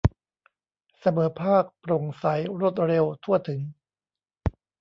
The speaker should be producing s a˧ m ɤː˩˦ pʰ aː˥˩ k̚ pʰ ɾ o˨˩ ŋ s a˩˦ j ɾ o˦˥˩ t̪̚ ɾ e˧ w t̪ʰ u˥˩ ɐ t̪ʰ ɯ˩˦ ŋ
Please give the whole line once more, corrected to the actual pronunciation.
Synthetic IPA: s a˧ m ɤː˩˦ pʰ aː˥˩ k̚ p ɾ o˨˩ ŋ s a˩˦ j ɾ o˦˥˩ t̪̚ ɾ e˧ w t̪ʰ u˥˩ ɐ t̪ʰ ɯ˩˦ ŋ